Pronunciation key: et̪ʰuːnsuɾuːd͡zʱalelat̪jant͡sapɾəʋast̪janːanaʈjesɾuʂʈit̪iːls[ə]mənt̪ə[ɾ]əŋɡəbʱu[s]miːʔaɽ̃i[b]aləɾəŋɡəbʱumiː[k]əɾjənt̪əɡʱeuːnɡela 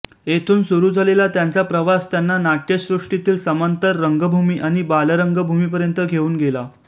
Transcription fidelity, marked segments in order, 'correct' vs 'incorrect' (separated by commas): correct, incorrect, incorrect, correct, incorrect